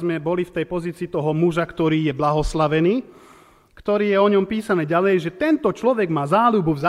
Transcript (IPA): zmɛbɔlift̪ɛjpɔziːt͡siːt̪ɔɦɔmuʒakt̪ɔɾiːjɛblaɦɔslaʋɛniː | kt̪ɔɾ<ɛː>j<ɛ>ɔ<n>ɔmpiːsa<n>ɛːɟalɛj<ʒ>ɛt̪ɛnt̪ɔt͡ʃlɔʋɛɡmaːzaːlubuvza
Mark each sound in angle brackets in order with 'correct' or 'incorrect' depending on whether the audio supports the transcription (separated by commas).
incorrect, correct, incorrect, correct, correct